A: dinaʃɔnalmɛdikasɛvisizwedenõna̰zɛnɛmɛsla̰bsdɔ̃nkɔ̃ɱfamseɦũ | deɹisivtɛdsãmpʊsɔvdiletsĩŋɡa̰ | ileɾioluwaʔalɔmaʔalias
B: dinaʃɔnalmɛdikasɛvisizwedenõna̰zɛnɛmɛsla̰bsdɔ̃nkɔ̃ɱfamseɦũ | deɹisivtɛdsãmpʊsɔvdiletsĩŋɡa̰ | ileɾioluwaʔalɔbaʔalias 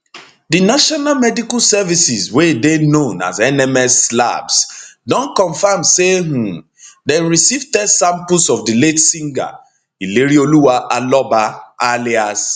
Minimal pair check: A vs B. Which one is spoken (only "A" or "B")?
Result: B